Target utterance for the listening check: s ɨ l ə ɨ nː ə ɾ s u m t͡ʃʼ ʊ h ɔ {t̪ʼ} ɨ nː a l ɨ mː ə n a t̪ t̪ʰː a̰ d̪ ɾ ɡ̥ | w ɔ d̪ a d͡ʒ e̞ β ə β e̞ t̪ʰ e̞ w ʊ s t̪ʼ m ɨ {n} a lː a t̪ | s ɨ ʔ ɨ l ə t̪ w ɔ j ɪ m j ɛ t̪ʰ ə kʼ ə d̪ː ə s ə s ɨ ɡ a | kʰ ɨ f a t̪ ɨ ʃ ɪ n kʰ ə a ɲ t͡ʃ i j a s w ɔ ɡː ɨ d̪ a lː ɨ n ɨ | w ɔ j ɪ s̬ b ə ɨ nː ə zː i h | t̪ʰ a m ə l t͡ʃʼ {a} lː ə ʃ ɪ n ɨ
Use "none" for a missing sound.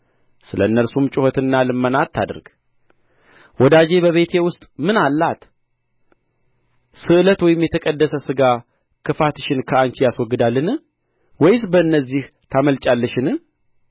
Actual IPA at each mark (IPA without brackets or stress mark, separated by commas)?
t̪, n, a